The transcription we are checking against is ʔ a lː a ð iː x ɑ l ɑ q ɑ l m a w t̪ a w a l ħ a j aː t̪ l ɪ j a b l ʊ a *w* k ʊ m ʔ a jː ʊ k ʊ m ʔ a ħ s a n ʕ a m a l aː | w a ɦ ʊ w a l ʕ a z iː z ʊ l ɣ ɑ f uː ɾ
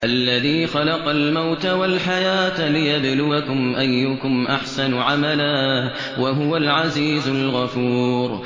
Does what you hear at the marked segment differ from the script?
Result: yes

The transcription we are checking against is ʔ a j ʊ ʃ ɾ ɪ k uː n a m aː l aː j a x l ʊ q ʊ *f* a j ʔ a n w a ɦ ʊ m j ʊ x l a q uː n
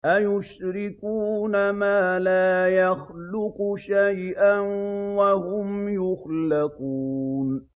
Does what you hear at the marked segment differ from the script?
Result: yes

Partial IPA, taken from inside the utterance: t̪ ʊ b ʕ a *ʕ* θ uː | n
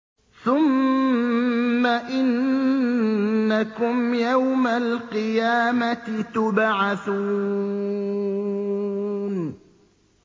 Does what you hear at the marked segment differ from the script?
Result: yes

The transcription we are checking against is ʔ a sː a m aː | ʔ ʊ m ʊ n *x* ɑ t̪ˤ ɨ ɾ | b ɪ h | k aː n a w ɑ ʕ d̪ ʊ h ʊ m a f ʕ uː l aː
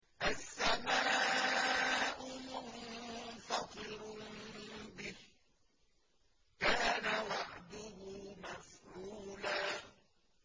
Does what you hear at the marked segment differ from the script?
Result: yes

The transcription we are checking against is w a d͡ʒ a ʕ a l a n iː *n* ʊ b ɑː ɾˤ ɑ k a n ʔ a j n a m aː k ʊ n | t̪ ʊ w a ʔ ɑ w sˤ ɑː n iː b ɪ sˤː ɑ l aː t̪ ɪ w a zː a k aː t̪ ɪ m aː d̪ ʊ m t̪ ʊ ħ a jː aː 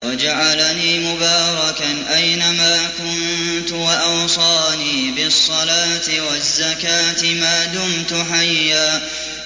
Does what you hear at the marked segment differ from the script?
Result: yes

